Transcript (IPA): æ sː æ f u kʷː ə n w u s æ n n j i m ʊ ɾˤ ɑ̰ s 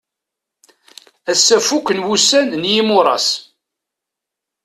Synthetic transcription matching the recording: æ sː æ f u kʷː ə n w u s æ n n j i m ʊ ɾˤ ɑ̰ s